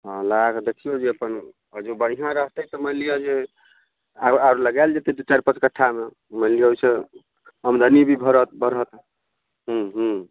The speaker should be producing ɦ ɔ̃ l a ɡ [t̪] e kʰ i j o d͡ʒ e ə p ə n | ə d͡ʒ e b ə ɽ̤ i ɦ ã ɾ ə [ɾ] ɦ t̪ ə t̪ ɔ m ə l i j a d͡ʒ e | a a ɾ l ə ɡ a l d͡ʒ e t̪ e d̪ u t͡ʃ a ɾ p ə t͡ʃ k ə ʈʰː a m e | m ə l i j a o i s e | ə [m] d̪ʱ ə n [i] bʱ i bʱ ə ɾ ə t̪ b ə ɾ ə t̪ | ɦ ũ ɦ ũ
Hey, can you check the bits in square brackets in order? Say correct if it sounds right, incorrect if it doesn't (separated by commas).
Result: incorrect, incorrect, correct, correct